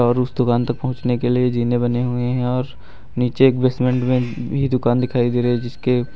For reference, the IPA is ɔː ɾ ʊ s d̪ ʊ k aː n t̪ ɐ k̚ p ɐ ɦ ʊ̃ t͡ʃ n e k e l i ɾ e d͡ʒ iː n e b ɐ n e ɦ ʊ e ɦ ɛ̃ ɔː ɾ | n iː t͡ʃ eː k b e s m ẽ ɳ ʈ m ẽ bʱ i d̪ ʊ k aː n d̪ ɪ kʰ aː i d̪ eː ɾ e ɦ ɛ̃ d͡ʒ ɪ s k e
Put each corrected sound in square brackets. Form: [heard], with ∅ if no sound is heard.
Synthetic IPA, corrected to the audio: ɔː ɾ ʊ s d̪ ʊ k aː n t̪ ɐ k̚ p ɐ ɦ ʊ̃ t͡ʃ n e k e l i [∅] e d͡ʒ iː n e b ɐ n e ɦ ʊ e ɦ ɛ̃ ɔː ɾ | n iː t͡ʃ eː k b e s m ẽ ɳ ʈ m ẽ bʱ i d̪ ʊ k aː n d̪ ɪ kʰ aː i d̪ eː ɾ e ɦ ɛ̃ d͡ʒ ɪ s k e